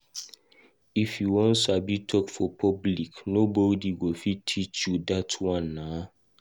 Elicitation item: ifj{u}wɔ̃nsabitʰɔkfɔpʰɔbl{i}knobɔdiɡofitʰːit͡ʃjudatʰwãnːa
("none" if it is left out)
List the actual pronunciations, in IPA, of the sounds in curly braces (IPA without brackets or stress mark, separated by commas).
u, i